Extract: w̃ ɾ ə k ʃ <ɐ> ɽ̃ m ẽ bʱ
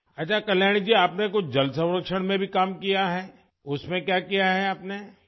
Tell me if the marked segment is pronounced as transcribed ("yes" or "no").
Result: no